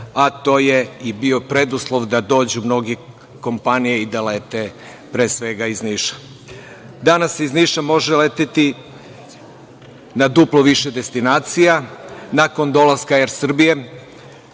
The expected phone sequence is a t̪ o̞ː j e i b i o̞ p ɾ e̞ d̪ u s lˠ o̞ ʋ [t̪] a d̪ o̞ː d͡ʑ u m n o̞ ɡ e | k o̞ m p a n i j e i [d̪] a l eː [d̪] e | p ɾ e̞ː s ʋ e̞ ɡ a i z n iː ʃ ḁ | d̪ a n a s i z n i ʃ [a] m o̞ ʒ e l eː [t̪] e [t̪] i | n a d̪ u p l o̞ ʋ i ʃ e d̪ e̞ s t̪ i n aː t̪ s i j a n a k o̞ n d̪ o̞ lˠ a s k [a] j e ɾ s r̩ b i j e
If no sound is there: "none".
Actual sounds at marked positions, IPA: d̪, d̪, t̪, a, t̪, t̪, a

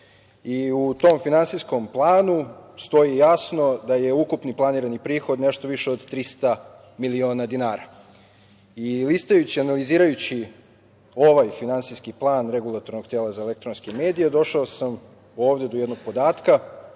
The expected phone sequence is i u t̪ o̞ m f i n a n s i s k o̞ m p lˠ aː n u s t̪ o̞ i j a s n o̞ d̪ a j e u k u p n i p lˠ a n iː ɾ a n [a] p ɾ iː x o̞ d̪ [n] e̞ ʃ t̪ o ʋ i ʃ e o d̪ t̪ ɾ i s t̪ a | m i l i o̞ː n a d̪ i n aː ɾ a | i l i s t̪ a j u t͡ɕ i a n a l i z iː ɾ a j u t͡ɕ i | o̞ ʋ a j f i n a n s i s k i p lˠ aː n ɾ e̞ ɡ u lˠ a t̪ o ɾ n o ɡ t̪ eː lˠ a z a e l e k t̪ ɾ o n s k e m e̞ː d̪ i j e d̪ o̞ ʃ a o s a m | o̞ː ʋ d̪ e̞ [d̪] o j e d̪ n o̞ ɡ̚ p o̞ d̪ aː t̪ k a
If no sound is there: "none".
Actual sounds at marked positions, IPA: i, n, d̪

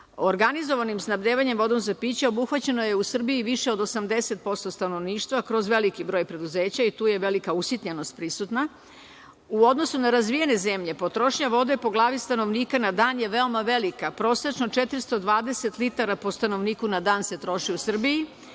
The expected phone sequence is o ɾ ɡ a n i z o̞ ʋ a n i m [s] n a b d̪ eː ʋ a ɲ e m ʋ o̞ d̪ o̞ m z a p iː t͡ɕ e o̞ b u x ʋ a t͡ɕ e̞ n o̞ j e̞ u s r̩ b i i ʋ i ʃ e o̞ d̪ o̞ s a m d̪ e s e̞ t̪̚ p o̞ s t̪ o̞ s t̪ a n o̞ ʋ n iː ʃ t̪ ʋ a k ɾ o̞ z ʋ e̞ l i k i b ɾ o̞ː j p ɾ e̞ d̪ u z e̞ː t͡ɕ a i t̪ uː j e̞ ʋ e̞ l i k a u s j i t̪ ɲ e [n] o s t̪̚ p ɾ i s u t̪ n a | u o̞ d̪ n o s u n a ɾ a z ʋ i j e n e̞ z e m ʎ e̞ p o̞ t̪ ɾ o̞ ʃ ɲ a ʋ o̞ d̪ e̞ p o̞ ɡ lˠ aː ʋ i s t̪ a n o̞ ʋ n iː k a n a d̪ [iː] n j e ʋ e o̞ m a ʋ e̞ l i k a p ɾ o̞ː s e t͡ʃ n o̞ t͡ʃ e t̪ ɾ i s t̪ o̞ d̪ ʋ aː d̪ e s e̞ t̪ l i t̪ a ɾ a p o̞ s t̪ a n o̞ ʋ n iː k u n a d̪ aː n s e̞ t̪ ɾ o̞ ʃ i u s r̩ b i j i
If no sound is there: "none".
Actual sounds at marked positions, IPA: s, n, aː

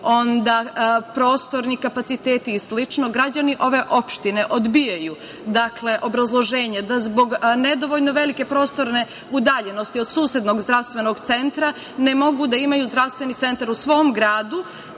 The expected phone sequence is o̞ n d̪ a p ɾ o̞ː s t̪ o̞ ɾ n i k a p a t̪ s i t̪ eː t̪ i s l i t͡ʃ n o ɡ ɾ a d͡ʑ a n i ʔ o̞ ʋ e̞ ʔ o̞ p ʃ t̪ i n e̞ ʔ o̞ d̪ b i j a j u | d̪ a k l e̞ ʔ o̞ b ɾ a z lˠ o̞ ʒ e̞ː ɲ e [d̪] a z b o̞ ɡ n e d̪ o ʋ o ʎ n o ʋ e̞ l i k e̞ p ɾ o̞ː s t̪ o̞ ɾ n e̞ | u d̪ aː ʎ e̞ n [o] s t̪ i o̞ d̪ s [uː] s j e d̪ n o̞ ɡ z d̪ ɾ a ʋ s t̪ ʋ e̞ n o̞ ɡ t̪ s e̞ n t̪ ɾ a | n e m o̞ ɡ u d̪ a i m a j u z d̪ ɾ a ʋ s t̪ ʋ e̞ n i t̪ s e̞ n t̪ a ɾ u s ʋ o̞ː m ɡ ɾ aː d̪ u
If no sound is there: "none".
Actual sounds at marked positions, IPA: d̪, o, uː

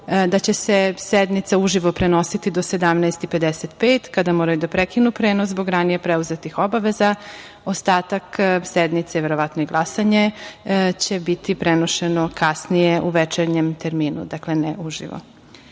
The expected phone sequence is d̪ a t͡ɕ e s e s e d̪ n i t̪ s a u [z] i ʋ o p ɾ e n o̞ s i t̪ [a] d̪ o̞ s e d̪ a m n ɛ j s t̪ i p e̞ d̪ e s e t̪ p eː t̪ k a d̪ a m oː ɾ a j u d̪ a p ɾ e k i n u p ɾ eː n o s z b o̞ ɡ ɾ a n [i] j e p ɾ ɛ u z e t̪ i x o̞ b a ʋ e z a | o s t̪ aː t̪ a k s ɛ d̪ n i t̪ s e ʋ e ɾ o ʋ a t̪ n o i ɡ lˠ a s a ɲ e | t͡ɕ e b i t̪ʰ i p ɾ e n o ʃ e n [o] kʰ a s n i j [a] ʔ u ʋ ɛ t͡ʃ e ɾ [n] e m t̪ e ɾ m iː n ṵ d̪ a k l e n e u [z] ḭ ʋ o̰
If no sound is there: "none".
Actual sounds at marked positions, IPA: ʒ, i, i, o, e, ɲ, ʒ

